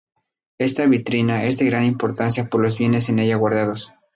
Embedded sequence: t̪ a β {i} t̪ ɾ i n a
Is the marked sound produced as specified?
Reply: yes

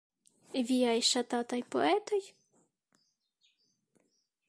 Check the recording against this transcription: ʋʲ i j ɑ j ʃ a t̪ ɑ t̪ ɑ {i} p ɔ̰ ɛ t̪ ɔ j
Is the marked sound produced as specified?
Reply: no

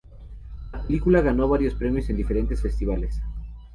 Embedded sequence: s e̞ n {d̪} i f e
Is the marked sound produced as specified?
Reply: yes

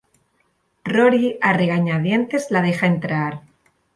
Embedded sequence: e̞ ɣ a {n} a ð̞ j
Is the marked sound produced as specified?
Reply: no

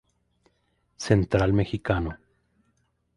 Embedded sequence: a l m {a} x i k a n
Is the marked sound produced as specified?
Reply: no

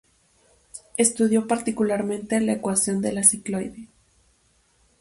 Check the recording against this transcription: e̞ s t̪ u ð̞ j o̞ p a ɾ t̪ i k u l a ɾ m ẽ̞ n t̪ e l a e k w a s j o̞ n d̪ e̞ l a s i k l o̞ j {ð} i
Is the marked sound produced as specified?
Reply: yes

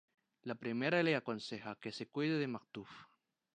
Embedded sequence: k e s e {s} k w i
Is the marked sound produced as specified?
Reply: no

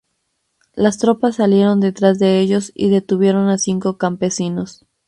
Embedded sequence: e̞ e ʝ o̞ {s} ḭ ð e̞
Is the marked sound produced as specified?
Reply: yes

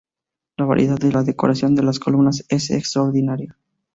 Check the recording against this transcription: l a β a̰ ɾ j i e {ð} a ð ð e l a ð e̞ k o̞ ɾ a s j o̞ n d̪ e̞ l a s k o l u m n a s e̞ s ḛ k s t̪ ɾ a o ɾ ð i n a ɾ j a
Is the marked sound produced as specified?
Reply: yes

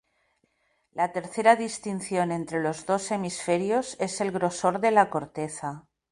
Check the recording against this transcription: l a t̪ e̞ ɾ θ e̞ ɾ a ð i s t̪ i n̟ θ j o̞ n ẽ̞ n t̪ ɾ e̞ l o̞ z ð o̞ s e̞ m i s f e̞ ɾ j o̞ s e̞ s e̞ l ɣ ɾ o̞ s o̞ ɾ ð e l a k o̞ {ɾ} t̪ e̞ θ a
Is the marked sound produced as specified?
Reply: yes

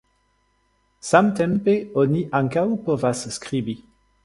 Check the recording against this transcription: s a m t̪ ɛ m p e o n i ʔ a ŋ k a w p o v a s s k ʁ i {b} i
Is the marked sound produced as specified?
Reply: yes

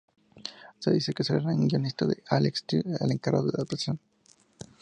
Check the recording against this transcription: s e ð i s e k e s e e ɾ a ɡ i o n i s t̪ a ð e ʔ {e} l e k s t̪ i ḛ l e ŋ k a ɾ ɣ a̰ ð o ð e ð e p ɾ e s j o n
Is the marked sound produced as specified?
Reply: no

